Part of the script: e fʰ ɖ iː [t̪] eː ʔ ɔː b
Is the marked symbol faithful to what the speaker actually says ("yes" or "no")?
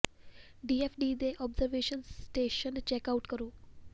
no